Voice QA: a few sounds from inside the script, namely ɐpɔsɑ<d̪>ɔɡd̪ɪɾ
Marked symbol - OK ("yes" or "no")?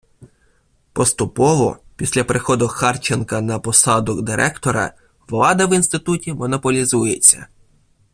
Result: yes